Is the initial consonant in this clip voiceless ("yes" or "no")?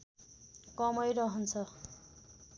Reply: yes